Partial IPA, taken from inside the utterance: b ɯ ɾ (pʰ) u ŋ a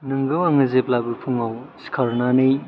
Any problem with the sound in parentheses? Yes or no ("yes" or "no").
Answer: no